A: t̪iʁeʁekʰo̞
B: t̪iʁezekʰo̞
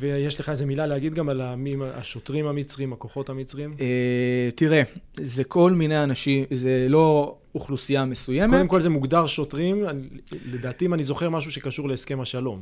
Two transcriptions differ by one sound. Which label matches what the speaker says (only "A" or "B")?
B